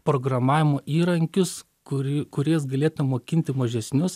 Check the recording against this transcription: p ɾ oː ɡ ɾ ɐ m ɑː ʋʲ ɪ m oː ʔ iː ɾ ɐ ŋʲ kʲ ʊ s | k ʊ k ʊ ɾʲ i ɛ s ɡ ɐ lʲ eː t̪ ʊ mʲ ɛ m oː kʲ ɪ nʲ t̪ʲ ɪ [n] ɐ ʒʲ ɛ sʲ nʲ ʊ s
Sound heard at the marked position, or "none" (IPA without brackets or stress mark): m